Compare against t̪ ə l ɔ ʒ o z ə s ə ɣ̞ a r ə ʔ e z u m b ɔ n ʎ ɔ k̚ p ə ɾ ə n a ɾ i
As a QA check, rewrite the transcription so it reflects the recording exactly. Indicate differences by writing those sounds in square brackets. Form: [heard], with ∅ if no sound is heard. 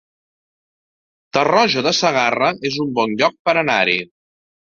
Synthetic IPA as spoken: t̪ ə [r] ɔ ʒ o [ð] ə s ə ɣ̞ a r ə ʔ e z u m b ɔ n ʎ ɔ k̚ p ə ɾ ə n a ɾ i